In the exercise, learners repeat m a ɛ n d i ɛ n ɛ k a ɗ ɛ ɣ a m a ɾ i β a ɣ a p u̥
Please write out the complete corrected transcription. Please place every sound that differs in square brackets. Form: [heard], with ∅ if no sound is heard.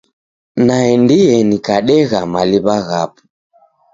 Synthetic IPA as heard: [n] a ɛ n d i ɛ n [i] k a ɗ ɛ ɣ a m a [l] i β a ɣ a p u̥